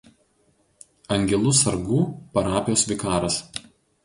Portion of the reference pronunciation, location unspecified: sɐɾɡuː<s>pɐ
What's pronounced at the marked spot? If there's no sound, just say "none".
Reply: none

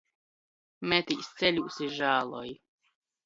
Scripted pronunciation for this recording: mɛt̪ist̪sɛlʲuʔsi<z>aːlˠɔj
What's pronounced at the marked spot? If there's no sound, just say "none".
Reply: ʒ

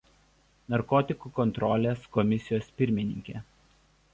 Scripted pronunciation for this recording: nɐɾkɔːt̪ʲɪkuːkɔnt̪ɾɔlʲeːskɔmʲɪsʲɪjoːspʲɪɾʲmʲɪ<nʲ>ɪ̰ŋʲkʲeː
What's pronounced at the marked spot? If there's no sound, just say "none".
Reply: nʲ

